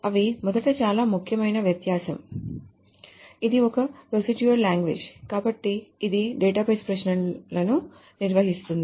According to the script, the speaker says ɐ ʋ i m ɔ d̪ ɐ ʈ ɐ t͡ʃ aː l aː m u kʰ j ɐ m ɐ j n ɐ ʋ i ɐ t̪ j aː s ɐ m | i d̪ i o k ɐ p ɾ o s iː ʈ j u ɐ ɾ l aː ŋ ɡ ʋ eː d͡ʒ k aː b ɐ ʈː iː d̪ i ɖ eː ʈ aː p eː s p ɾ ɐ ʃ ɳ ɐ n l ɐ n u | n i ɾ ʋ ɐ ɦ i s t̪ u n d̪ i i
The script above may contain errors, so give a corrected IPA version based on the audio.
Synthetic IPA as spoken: ɐ ʋ i m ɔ d̪ ɐ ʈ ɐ t͡ʃ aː l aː m u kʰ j ɐ m ɐ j n ɐ ʋ j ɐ t̪ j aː s ɐ m | i d̪ i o k ɐ p ɾ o s i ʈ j u ɐ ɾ l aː ŋ ɡ ʋ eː d͡ʒ k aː b ɐ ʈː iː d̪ i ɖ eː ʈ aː p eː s p ɾ ɐ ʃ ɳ ɐ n l ɐ n u | n i ɾ ʋ ɐ ɦ i s t̪ u n d̪ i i